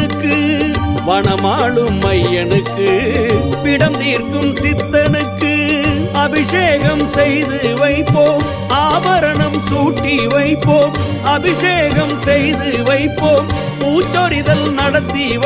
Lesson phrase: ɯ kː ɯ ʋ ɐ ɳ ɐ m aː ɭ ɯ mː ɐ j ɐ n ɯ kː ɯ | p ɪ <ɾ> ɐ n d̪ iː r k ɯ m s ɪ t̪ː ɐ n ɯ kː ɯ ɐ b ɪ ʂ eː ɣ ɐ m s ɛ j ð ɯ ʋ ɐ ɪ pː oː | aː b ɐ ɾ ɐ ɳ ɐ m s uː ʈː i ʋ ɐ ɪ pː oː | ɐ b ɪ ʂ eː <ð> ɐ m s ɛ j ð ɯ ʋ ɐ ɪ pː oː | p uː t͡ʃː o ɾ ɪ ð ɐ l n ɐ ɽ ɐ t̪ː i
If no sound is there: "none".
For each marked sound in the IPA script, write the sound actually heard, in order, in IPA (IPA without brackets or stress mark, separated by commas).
ɽ, ɣ